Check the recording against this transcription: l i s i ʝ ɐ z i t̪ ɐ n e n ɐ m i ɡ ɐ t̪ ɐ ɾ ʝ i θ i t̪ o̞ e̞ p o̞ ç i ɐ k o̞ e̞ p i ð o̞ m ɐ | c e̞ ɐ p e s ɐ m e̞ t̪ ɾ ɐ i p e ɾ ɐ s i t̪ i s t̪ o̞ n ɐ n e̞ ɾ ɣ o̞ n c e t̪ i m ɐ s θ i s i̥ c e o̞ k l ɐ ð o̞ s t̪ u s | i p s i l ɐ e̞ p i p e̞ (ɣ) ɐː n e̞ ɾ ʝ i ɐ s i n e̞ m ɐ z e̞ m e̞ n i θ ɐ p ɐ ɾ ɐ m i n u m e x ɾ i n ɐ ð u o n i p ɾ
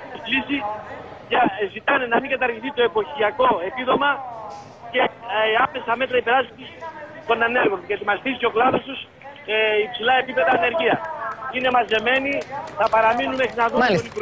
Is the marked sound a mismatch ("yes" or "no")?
yes